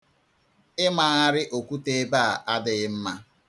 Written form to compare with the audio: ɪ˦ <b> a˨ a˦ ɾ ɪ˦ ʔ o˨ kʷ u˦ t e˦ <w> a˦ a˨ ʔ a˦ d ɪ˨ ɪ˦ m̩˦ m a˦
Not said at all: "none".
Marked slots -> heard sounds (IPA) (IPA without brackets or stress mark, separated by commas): m, b